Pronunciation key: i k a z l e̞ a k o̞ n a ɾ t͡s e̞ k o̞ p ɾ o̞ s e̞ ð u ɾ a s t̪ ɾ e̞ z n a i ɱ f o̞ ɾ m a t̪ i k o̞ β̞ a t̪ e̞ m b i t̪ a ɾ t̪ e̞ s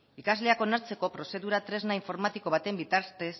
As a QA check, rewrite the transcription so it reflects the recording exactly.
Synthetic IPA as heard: i k a z l e̞ a k o̞ n a ɾ t͡s e̞ k o̞ p ɾ o̞ s e̞ ð u ɾ a t̪ ɾ e̞ z n a i ɱ f o̞ ɾ m a t̪ i k o̞ β̞ a t̪ e̞ m b i t̪ a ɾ t̪ e̞ s